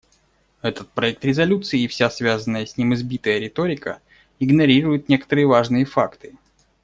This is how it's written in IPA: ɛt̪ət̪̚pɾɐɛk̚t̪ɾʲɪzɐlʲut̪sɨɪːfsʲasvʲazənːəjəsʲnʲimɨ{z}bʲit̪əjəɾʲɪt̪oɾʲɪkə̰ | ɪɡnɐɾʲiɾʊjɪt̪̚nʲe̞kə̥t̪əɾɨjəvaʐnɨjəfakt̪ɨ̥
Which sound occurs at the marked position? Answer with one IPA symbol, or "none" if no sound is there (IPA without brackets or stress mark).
z